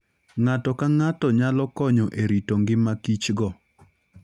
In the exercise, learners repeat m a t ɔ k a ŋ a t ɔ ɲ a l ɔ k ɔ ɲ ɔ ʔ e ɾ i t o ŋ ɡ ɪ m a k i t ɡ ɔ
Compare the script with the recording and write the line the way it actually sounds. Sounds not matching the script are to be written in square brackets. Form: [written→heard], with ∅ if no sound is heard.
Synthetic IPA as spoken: [m→ŋ] a t ɔ k a ŋ a t ɔ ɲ a l ɔ k ɔ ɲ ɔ ʔ e ɾ i t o ŋ ɡ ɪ m a k i [t→t͡ʃ] ɡ ɔ